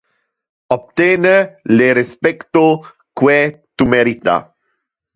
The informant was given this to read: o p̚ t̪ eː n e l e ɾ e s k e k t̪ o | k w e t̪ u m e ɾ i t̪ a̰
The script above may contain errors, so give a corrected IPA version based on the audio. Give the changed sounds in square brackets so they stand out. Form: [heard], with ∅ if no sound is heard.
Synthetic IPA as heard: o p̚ t̪ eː n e l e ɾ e s [p] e k t̪ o | k w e t̪ u m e ɾ i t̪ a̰